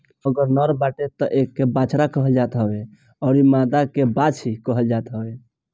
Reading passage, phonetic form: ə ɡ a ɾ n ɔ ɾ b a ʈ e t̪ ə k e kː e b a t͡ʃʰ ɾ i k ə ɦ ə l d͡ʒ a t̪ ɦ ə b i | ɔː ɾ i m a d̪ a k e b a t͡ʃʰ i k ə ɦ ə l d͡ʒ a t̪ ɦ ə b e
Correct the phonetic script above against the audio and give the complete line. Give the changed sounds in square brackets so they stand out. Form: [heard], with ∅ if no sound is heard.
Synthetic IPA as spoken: ə ɡ [ə] ɾ n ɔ ɾ b a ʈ e t̪ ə [ʔ] e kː e b a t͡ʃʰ ɾ [a] k ə ɦ ə l d͡ʒ a t̪ ɦ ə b [e] | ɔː ɾ i m a d̪ a k e b a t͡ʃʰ i k ə ɦ ə l d͡ʒ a t̪ ɦ ə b e